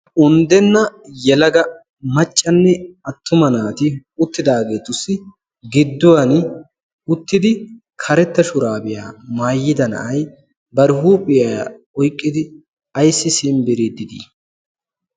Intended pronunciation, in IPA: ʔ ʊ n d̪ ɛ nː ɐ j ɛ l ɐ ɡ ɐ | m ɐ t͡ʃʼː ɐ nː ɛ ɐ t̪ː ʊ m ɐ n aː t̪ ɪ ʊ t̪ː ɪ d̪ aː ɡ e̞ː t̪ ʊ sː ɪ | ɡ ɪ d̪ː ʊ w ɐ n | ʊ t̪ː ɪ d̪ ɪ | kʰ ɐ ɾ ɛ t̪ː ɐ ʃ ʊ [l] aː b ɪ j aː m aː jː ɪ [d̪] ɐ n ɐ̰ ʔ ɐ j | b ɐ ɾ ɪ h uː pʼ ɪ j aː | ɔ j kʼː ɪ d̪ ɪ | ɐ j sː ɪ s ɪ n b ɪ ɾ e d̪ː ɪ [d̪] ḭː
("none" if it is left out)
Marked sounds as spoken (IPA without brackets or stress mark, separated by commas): ɾ, d̪, d̪